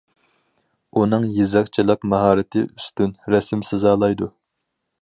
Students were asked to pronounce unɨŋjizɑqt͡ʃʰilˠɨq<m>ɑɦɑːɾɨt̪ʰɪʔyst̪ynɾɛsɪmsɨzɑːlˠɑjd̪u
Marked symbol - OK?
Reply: yes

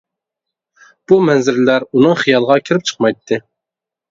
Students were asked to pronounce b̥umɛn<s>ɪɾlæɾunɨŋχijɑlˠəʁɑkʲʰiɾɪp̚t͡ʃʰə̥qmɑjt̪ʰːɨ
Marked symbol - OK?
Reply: no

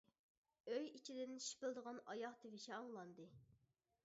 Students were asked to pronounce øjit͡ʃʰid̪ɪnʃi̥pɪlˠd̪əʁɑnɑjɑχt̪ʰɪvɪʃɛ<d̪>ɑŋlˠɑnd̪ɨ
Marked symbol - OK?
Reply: no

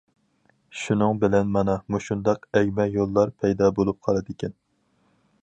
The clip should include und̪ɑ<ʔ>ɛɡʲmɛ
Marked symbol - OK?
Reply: no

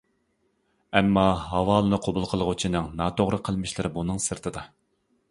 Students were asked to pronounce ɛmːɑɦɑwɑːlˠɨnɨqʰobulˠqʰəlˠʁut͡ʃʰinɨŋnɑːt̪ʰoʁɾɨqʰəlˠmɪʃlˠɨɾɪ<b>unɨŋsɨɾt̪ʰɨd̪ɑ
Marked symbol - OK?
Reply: yes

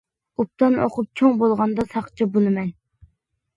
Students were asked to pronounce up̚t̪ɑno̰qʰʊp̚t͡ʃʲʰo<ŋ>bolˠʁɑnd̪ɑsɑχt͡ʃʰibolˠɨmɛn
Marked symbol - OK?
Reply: yes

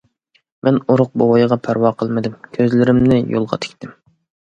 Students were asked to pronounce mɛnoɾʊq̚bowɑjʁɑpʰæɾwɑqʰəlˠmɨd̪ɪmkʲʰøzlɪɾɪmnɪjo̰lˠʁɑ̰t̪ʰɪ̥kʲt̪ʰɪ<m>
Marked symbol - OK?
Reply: yes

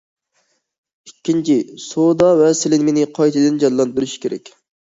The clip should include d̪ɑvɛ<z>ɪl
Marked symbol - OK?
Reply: no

